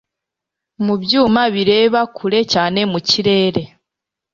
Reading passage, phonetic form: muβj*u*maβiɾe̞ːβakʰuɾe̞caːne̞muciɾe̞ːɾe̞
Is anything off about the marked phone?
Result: yes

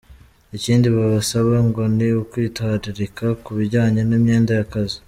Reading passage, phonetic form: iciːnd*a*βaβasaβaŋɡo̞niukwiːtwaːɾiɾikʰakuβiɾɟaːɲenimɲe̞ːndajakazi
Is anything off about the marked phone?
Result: yes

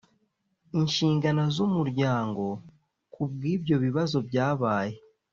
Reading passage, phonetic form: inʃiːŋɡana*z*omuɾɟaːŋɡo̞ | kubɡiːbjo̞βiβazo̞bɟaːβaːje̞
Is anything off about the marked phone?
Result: no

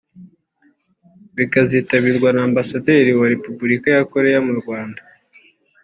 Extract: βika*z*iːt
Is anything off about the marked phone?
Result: no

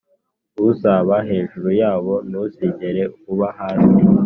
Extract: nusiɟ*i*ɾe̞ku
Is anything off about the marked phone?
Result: yes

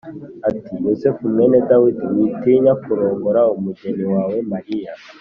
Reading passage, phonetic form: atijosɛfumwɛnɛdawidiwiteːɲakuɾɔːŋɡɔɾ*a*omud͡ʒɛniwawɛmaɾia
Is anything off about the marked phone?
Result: no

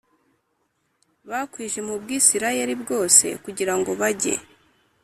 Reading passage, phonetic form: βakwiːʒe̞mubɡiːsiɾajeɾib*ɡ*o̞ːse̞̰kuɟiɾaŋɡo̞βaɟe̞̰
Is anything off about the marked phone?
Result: no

